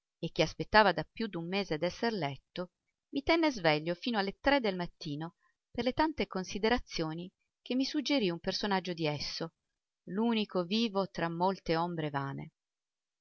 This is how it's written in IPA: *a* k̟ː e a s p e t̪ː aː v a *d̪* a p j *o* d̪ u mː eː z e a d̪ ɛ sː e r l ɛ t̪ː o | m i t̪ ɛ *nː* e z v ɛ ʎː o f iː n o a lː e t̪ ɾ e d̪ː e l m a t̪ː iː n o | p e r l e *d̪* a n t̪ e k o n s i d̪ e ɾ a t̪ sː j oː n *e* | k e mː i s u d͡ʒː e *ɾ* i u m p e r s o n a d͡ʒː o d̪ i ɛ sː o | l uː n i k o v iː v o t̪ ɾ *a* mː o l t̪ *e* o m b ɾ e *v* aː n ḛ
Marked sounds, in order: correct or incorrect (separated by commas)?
incorrect, correct, incorrect, correct, incorrect, incorrect, correct, correct, correct, correct